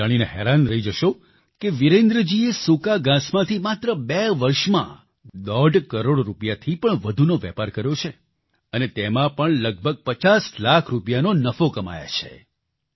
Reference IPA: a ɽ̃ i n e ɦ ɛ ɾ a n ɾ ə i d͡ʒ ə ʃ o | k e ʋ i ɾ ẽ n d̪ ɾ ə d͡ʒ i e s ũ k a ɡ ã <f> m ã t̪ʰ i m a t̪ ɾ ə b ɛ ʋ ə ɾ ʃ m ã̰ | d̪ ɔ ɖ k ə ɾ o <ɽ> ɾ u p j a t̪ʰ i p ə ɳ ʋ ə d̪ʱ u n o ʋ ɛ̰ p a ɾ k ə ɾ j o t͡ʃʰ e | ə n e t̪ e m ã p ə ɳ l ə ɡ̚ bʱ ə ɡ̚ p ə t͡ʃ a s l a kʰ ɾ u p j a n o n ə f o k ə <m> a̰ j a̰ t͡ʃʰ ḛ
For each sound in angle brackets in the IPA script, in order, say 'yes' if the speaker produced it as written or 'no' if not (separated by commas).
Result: no, yes, yes